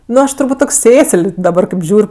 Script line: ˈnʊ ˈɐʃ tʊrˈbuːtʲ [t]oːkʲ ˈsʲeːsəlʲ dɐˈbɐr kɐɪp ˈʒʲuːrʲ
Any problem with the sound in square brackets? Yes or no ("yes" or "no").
no